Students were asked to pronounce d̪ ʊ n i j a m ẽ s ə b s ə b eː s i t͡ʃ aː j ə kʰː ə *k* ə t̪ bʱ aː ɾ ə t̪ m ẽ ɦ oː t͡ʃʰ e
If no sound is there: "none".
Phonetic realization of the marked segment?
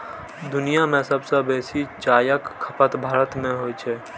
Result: p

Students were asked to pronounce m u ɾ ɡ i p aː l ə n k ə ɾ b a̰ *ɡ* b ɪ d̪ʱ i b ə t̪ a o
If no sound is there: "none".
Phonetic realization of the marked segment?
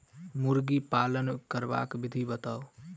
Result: k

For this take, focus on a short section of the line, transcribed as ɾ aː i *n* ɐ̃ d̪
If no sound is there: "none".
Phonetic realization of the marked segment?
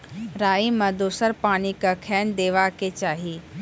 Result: m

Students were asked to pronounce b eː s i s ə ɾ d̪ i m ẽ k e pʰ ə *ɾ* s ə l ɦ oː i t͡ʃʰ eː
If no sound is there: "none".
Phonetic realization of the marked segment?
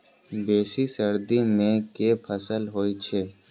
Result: none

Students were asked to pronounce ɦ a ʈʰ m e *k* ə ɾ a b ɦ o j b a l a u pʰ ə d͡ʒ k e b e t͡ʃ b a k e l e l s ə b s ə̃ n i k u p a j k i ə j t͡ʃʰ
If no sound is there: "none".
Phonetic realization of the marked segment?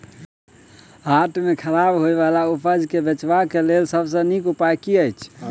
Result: kʰ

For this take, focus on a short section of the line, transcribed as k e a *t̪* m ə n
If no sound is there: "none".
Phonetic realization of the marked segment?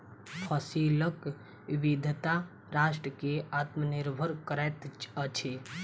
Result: t̪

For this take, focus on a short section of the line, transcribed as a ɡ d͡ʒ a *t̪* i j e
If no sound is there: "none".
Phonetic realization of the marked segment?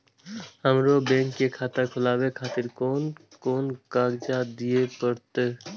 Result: d̪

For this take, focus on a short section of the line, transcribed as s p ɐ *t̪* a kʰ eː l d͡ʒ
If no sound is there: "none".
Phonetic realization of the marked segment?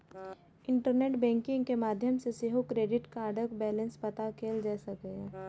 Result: t̪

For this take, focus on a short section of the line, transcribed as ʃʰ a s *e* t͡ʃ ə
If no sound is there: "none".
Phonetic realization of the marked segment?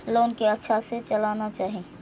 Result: e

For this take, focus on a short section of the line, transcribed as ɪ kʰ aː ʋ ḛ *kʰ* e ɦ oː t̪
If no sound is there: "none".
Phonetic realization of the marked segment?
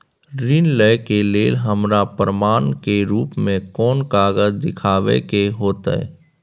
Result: k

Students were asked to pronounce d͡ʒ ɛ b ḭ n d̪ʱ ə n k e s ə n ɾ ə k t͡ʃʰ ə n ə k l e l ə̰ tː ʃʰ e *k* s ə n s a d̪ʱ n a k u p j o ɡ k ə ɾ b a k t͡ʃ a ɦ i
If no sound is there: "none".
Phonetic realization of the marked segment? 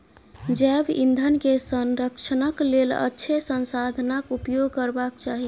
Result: none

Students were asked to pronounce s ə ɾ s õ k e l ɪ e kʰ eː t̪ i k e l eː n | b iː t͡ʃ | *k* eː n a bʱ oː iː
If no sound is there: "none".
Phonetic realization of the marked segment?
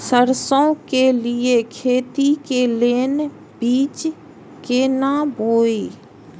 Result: k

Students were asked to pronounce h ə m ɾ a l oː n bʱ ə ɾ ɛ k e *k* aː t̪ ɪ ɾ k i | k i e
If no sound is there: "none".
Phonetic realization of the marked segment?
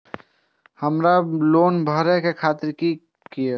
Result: kʰ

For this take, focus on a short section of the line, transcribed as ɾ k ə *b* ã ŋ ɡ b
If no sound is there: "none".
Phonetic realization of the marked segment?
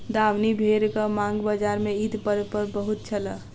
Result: m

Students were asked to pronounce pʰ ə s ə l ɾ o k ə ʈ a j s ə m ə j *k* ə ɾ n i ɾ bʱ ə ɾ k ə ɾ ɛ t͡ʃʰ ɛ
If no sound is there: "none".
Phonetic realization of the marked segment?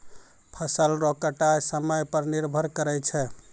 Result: p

